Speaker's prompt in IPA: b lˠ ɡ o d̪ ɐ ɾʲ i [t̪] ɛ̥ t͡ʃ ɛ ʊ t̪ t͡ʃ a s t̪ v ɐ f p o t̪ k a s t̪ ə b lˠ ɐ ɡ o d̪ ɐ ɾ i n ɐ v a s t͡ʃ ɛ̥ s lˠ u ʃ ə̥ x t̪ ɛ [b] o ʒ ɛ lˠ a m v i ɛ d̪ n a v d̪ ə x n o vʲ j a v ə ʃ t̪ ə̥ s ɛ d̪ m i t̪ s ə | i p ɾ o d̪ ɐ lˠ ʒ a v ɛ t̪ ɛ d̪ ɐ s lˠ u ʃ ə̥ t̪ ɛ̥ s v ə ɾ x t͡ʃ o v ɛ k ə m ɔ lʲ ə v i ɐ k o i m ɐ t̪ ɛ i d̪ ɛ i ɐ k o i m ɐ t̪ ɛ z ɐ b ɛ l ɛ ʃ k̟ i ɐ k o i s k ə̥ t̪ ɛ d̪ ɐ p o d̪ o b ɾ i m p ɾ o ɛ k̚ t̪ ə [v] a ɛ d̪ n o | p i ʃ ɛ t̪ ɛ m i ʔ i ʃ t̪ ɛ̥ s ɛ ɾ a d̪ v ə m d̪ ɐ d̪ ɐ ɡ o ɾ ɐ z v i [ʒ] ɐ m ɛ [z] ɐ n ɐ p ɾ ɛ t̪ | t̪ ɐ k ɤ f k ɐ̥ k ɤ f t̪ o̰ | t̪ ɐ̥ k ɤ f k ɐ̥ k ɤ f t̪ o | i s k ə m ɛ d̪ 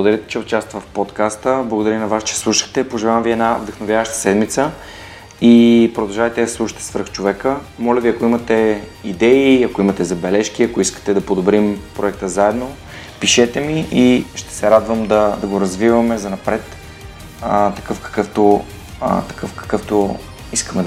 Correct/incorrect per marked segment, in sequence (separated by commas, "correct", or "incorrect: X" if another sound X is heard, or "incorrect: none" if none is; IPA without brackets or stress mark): correct, incorrect: p, incorrect: z, incorrect: v, correct